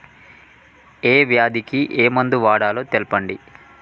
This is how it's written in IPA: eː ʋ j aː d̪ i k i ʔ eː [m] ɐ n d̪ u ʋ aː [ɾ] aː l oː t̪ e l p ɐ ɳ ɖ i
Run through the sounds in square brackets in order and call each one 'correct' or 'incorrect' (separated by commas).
correct, incorrect